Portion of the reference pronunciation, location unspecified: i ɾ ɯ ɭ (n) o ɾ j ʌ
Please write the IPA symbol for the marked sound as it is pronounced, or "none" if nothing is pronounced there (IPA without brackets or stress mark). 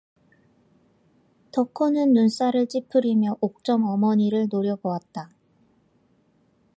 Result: n